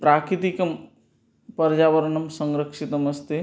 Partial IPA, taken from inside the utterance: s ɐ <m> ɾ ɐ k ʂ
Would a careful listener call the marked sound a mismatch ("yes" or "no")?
yes